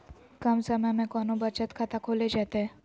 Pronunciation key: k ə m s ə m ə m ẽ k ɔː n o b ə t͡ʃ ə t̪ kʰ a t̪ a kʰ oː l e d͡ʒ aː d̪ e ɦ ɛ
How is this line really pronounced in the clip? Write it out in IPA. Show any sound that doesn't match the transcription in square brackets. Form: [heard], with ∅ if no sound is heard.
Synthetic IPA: k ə m s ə m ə m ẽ k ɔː n o b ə t͡ʃ ə t̪ kʰ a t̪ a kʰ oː l e d͡ʒ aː [t̪] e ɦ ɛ

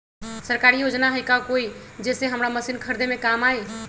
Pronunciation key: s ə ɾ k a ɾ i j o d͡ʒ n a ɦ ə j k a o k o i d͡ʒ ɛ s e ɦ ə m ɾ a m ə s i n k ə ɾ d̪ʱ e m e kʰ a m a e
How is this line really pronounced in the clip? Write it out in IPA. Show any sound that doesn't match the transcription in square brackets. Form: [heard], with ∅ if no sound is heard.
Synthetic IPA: s ə ɾ k a ɾ i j o d͡ʒ n a ɦ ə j k a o k o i d͡ʒ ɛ s e ɦ ə m ɾ a m ə s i n [kʰ] ə ɾ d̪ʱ e m e [k] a m a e

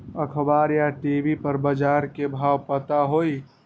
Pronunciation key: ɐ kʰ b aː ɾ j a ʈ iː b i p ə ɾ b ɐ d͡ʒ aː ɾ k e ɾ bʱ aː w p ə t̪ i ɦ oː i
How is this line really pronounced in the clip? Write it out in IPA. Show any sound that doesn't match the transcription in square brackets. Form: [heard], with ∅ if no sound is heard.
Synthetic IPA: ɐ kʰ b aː ɾ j a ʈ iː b i p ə ɾ b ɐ d͡ʒ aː ɾ k e [∅] bʱ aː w p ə t̪ [a] ɦ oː i

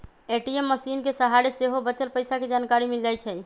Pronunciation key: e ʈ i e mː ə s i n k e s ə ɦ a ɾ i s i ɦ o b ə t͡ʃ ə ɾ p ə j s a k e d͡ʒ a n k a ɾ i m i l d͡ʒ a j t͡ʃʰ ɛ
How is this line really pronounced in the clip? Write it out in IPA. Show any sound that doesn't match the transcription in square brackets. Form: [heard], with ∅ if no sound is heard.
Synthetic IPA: e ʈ i e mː ə s i n k e s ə ɦ a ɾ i s [e] ɦ o b ə t͡ʃ ə [l] p ə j s a k e d͡ʒ a n k a ɾ i m i l d͡ʒ a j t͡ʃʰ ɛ

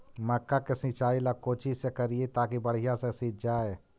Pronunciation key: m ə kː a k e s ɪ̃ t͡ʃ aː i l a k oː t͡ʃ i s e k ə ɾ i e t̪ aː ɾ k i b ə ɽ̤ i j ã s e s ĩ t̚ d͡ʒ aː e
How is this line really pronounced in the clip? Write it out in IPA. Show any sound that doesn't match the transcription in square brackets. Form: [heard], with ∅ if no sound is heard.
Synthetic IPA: m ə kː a k e s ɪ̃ t͡ʃ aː i l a k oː t͡ʃ i s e k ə ɾ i e t̪ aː [∅] k i b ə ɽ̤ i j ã s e s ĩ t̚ d͡ʒ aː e

